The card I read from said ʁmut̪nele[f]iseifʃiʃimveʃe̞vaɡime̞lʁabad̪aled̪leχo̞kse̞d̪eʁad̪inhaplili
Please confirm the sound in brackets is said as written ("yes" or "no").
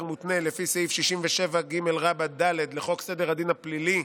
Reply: yes